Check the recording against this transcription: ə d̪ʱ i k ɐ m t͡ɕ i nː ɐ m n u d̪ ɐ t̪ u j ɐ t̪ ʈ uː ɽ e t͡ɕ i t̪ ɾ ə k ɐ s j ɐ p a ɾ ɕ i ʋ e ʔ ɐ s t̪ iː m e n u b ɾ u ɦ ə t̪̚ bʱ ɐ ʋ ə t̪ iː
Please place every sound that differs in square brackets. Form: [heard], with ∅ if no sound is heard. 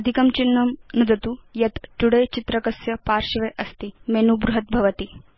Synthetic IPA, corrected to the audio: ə d̪ʱ i k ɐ m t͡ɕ i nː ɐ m n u d̪ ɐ t̪ u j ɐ t̪ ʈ [u] ɽ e t͡ɕ i t̪ ɾ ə k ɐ s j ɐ p a ɾ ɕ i ʋ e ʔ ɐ s t̪ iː m e n u b ɾ u ɦ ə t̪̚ bʱ ɐ ʋ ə t̪ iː